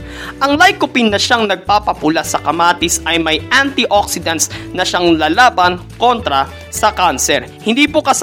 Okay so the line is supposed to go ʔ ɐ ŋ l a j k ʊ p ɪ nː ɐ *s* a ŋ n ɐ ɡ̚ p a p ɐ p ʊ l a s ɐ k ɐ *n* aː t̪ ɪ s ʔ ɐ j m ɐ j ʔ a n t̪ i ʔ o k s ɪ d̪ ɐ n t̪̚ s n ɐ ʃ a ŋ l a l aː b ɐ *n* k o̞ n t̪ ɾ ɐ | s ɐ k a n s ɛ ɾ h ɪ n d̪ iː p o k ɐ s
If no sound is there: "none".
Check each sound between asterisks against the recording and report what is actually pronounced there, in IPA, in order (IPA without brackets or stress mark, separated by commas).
ʃ, m, n